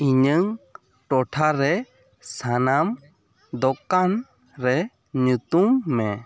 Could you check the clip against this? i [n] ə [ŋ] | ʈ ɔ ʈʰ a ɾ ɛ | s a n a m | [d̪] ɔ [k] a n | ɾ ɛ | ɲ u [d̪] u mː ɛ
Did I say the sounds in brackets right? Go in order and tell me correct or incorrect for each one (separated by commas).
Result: incorrect, correct, correct, correct, incorrect